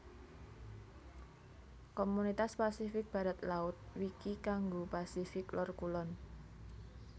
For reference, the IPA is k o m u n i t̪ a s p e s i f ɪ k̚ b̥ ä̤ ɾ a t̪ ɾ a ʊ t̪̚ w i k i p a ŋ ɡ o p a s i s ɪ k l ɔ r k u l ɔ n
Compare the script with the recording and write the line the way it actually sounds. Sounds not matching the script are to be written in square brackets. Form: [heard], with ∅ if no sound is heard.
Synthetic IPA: k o m u n i t̪ a s p [a] s i f ɪ k̚ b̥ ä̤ ɾ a t̪ [l] a ʊ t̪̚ w i k i [k] a ŋ ɡ o p a s i [f] ɪ k l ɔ r k u l ɔ n